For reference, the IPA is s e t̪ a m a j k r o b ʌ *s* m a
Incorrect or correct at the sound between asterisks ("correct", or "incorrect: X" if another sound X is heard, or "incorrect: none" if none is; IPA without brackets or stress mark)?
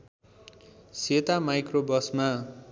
correct